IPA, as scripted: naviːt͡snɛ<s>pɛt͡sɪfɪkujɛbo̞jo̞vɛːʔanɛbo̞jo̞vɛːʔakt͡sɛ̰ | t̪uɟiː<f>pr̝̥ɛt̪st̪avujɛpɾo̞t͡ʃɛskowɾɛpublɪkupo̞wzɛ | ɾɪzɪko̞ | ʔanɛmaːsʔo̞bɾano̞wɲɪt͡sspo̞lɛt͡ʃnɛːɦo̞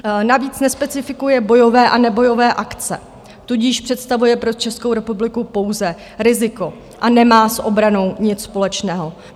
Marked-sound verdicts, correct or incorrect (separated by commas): correct, incorrect